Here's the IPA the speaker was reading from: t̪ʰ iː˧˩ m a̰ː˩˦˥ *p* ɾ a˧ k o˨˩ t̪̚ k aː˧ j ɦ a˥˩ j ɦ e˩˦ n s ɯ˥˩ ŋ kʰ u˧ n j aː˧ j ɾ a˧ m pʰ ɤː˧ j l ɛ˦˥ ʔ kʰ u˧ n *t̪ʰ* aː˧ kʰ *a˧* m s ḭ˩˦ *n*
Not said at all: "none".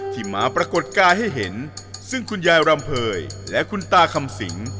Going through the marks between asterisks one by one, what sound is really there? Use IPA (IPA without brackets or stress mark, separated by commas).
p, t̪, a˧, ŋ